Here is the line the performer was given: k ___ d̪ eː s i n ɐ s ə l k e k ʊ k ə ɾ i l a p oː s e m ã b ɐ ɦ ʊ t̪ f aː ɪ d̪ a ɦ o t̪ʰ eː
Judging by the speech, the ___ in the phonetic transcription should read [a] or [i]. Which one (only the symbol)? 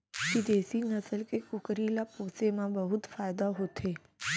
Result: i